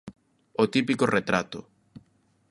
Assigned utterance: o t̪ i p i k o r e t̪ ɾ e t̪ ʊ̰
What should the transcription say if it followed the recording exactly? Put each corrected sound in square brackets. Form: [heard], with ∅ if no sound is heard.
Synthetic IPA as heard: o t̪ i p i k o r e t̪ ɾ [a] t̪ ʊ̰